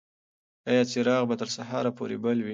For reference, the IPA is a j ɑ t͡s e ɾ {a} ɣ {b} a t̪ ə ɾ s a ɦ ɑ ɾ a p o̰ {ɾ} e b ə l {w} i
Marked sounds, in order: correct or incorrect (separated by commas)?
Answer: incorrect, correct, correct, correct